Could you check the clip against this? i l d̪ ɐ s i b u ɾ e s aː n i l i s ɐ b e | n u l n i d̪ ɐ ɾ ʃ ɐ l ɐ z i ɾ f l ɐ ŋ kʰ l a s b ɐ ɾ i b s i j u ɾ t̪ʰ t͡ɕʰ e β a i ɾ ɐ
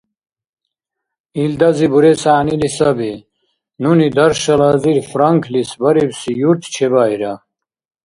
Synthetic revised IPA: i l d̪ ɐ z i b u ɾ e s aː n i l i s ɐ b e | n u n i d̪ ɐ ɾ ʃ ɐ l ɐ z i ɾ f ɾ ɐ ŋ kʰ l i s b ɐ ɾ i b s i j u ɾ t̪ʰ t͡ɕʰ e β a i ɾ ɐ